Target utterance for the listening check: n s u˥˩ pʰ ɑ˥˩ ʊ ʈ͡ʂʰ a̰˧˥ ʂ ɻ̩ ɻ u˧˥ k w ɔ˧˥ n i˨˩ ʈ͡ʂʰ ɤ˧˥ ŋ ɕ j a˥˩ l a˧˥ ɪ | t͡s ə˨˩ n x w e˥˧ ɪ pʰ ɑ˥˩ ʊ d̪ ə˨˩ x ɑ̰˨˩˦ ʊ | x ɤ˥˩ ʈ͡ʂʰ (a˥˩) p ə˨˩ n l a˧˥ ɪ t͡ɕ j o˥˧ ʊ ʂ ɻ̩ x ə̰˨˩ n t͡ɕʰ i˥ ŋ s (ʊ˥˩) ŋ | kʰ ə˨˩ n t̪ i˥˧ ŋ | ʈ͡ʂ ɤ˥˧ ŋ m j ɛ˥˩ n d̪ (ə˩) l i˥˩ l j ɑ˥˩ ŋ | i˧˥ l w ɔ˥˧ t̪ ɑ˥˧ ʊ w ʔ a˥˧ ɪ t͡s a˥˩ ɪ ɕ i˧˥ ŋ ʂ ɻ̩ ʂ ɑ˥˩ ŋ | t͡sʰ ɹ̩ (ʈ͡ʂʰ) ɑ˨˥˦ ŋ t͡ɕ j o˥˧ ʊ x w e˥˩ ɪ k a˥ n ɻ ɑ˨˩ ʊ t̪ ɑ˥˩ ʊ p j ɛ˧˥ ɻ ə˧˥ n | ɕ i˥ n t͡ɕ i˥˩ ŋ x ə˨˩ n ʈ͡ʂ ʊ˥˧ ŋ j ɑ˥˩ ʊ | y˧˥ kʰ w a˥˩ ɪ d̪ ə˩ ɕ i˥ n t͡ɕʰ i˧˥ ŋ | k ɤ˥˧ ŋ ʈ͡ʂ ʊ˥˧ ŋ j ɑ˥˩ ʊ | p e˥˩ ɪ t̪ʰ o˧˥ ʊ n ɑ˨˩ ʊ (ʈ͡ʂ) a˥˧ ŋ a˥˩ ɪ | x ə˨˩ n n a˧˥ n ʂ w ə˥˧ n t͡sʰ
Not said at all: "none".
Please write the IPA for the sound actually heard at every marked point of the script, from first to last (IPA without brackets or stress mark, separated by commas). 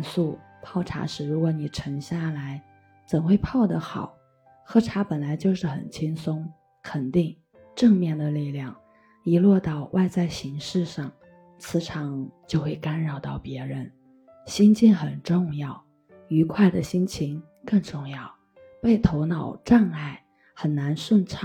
a˧˥, ʊ˥, ə˩, ʈ͡ʂʰ, ʈ͡ʂ